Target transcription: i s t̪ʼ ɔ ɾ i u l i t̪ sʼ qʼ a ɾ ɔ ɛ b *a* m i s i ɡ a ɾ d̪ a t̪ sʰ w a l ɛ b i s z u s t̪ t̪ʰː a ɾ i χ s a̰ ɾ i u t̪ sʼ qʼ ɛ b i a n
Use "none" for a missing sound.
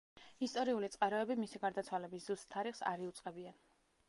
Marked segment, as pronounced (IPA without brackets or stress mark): i